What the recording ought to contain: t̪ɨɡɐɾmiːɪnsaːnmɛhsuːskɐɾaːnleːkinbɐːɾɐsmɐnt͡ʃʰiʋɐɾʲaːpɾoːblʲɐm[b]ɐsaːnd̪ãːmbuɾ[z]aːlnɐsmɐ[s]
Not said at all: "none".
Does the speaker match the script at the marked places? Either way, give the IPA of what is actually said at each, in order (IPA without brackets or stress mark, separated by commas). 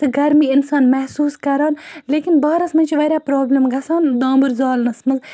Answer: ɡ, z, z